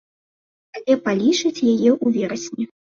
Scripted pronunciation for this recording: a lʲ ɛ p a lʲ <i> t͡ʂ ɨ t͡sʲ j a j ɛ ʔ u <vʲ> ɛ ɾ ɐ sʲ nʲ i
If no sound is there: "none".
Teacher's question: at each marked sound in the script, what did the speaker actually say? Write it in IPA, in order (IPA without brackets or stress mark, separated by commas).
i, vʲ